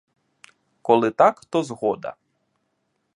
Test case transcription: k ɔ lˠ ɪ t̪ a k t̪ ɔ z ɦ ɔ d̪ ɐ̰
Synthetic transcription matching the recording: k ɔ lˠ ɪ t̪ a k t̪ ɔ z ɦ ɔ d̪ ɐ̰